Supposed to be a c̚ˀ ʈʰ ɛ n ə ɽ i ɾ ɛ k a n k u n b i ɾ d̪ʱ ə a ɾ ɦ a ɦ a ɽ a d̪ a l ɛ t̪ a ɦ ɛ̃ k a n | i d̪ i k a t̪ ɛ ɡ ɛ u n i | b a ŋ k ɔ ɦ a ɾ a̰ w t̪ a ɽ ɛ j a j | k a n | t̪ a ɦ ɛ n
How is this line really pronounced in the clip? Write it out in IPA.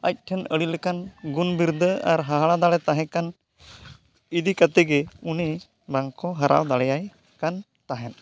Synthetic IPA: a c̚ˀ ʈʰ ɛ n ə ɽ i l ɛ k a n ɡ u n b i ɾ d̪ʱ ə a ɾ ɦ a ɦ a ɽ a d̪ a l ɛ t̪ a ɦ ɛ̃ k a n | i d̪ i k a t̪ ɛ ɡ ɛ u n i | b a ŋ k ɔ ɦ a ɾ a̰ w d̪ a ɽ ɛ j a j | k a n | t̪ a ɦ ɛ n